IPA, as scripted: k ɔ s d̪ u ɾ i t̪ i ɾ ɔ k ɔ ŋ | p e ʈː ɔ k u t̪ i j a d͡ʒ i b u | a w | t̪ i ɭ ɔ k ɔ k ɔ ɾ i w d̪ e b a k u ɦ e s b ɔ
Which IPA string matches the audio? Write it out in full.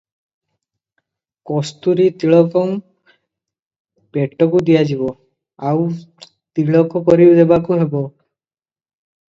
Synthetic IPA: k ɔ s t̪ u ɾ i t̪ i ɭ ɔ k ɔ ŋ | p e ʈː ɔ k u d̪ i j a d͡ʒ i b ɔ | a w | t̪ i ɭ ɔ k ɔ k ɔ ɾ i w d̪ e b a k u ɦ e b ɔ